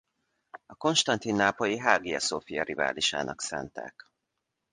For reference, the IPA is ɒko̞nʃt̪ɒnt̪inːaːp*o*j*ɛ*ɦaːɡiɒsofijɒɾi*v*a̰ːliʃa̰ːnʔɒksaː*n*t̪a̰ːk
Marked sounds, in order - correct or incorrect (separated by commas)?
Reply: correct, incorrect, correct, correct